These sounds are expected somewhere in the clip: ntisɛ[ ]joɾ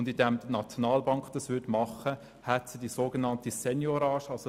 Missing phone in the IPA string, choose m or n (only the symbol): n